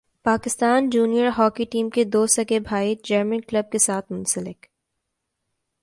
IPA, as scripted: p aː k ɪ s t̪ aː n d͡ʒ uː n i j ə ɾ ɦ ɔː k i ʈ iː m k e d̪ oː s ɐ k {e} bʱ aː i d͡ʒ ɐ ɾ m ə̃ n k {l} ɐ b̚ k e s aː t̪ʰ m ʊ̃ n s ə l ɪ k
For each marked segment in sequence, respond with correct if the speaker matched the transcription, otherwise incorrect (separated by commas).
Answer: correct, correct